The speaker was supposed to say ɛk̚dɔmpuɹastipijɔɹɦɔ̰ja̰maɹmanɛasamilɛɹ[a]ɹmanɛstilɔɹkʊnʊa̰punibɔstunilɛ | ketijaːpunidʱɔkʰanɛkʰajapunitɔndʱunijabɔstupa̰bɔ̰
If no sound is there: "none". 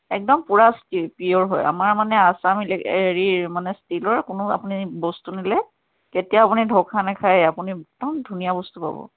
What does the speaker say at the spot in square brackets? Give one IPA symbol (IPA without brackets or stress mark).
i